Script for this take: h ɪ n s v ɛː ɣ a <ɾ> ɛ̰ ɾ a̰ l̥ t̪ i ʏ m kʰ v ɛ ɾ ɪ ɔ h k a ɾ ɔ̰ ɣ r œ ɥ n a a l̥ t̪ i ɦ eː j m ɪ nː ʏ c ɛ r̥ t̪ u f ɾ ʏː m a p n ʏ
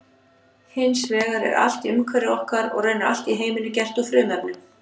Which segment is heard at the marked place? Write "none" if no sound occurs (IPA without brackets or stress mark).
ɾ